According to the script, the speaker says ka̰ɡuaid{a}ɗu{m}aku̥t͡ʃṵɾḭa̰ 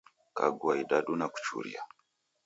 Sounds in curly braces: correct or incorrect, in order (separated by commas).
correct, incorrect